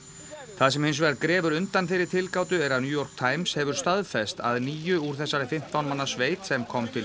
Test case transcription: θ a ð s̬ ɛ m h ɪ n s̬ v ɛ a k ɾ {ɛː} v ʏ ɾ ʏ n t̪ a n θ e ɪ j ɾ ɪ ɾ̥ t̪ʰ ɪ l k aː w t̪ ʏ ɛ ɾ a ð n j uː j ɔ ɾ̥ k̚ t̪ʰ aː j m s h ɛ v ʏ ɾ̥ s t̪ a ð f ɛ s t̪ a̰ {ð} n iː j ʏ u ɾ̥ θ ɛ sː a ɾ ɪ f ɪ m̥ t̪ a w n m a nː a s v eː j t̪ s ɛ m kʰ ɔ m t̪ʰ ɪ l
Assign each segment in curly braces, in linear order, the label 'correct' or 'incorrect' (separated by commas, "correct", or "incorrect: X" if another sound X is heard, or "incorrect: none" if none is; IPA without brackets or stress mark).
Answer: correct, correct